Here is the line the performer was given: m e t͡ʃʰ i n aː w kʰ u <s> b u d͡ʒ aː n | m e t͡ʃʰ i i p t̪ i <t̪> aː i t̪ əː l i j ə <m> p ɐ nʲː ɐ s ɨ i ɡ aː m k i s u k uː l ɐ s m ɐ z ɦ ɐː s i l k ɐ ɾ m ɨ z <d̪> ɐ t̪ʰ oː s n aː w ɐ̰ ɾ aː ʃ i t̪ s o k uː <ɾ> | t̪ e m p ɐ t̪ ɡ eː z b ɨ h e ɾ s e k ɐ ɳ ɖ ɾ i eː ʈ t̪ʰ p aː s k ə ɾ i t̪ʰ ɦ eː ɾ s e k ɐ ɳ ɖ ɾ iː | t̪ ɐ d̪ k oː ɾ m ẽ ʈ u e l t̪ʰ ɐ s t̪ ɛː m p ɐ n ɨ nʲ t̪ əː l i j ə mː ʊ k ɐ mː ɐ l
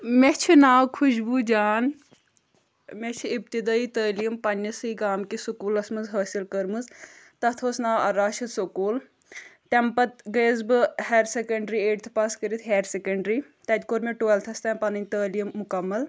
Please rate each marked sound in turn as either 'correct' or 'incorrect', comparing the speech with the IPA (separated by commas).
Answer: incorrect, incorrect, correct, incorrect, incorrect